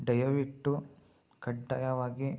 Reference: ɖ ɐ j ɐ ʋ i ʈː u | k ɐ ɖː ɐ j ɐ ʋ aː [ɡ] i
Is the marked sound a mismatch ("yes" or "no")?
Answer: no